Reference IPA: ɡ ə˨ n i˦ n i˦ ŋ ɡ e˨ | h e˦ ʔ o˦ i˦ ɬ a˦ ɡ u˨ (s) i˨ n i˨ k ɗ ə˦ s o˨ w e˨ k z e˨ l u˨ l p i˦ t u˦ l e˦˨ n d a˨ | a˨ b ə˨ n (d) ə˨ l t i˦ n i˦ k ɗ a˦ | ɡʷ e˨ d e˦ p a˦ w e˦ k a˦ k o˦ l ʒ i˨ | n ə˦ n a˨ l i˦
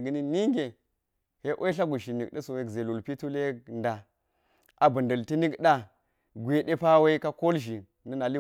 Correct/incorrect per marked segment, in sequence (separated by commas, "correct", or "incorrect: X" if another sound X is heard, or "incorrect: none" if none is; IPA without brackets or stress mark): incorrect: ʃ, correct